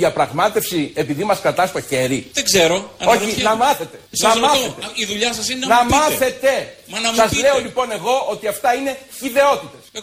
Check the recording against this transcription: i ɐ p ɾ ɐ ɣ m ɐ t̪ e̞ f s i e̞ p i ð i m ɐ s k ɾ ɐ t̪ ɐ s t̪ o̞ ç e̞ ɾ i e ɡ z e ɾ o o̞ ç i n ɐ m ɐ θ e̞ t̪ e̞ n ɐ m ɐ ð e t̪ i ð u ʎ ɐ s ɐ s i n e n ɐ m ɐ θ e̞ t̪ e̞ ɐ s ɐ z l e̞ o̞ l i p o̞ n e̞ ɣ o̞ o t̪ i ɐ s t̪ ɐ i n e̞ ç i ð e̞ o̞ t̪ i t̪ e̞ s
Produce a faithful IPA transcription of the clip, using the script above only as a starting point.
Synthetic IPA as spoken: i ɐ p ɾ ɐ ɣ m ɐ t̪ e̞ f s i e̞ p i ð i m ɐ s k ɾ ɐ t̪ ɐ s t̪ o̞ ç e̞ ɾ i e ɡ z e ɾ o o̞ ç i n ɐ m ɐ θ e̞ t̪ e̞ n ɐ m ɐ θ e t̪ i ð u ʎ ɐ s ɐ s i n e n ɐ m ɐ θ e̞ t̪ e̞ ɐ s ɐ z l e̞ o̞ l i p o̞ n e̞ ɣ o̞ o t̪ i ɐ f t̪ ɐ i n e̞ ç i ð e̞ o̞ t̪ i t̪ e̞ s